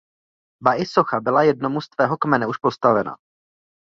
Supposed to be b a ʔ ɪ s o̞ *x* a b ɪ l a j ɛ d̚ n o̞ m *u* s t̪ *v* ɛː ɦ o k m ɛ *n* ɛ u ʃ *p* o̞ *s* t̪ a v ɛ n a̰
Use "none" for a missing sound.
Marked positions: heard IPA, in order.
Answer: x, u, v, n, p, s

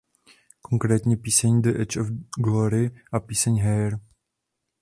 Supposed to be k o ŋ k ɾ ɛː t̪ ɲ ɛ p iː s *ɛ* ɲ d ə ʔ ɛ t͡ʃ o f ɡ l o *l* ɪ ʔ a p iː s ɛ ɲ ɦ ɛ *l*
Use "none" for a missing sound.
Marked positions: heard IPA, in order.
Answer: ɛ, ɾ, ɾ

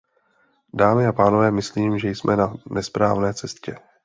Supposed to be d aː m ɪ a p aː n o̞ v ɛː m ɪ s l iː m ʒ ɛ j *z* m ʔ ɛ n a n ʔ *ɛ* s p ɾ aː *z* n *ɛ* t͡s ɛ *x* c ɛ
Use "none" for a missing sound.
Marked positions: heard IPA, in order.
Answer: s, ɛ, v, ɛː, s

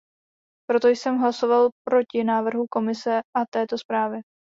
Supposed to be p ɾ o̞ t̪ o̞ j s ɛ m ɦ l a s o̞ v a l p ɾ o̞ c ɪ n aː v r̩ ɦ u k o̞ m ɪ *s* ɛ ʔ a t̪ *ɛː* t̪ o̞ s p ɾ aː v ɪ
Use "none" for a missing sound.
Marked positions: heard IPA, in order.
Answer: s, ɛː

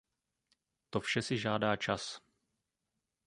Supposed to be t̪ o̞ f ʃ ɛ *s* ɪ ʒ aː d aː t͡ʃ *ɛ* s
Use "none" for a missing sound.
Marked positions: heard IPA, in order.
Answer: s, a

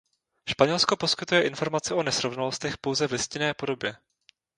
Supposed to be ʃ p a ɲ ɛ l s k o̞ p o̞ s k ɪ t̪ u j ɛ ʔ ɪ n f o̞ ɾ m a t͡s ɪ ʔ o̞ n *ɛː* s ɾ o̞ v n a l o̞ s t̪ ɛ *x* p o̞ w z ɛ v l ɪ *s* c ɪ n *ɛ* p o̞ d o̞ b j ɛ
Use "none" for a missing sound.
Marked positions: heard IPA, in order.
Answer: ɛ, x, s, ɛː

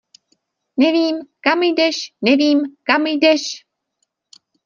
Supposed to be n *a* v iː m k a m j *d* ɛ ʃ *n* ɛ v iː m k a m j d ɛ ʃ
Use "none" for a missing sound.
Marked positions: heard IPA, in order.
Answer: ɛ, d, n

